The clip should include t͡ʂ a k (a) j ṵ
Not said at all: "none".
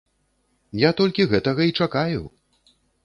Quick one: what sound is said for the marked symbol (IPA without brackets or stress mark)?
a